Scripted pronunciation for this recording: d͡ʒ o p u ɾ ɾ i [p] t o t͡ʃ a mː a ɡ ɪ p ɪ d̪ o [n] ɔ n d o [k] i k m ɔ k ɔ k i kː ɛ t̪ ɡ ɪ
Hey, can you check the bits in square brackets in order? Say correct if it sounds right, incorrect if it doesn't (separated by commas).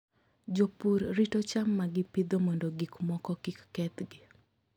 incorrect, incorrect, incorrect